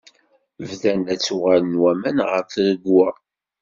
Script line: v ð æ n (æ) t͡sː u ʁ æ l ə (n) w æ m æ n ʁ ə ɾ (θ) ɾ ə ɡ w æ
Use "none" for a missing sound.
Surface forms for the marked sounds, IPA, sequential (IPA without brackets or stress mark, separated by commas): æ, n, f